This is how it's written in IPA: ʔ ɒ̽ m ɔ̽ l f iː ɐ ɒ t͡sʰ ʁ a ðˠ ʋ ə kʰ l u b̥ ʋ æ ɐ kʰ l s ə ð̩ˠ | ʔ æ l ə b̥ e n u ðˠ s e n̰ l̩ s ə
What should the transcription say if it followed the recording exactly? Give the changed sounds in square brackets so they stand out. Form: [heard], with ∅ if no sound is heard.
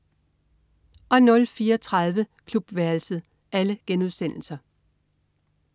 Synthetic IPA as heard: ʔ ɒ̽ [n] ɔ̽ l f iː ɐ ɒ t͡sʰ ʁ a ðˠ ʋ ə kʰ l u b̥ ʋ æ ɐ [∅] l s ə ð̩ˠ | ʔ æ l ə [ɡ̥] e n u ðˠ s e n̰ l̩ s [ɐ]